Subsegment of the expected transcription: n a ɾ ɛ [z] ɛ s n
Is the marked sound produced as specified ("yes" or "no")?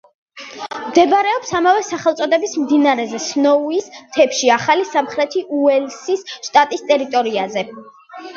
yes